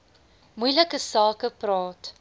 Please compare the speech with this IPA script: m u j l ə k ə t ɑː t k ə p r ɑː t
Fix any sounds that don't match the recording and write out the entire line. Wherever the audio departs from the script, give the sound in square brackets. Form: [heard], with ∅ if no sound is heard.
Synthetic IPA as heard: m u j l ə k ə [s] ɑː [∅] k ə p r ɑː t